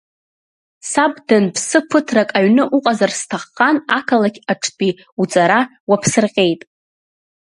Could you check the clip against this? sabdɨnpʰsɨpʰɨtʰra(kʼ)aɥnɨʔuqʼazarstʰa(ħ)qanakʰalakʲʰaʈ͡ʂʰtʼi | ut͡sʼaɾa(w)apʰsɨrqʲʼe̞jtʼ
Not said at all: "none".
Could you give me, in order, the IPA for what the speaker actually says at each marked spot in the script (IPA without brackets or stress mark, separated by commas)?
kʼ, χ, w